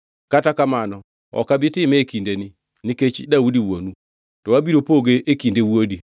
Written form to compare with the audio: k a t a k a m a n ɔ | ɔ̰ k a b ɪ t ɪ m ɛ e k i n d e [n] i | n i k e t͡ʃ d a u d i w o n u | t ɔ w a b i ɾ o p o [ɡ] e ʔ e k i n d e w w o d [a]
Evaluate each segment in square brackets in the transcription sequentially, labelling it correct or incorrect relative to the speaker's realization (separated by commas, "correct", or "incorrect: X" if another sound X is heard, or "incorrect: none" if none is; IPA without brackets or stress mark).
correct, correct, incorrect: i